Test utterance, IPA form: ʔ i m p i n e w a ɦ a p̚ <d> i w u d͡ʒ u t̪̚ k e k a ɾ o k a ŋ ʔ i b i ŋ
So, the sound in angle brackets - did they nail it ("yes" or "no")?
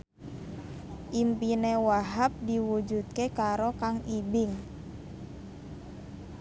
yes